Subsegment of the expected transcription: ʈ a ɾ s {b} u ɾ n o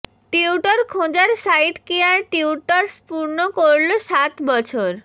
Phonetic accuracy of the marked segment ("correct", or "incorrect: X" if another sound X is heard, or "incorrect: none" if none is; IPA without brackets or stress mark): incorrect: p